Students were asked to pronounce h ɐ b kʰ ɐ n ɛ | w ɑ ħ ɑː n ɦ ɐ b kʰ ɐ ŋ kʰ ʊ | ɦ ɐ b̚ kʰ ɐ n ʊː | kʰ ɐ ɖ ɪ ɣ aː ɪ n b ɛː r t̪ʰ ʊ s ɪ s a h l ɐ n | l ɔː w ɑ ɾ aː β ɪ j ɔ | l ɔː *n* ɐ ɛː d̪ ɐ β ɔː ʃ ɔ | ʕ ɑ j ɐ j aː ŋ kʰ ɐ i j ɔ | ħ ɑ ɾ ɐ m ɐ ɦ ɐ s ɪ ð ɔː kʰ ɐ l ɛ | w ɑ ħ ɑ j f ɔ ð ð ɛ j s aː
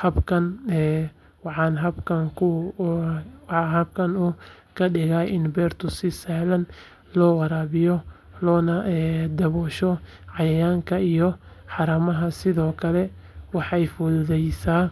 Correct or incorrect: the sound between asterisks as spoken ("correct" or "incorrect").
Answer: correct